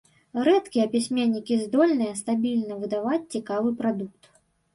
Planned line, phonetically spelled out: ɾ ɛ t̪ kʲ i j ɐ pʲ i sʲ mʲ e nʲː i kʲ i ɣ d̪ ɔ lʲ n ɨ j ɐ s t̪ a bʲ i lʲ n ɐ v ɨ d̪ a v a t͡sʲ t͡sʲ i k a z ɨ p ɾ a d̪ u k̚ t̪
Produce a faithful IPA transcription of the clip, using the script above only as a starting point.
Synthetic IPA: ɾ ɛ t̪ kʲ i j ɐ pʲ i sʲ mʲ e nʲː i kʲ i z d̪ ɔ lʲ n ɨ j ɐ s t̪ a bʲ i lʲ n ɐ v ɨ d̪ a v a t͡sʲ t͡sʲ i k a v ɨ p ɾ a d̪ u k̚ t̪